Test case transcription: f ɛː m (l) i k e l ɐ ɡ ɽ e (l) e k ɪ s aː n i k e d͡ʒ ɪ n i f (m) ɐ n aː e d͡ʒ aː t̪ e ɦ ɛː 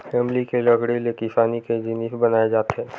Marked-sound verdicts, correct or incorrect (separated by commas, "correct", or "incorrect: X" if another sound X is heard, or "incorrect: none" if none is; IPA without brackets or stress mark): correct, correct, incorrect: b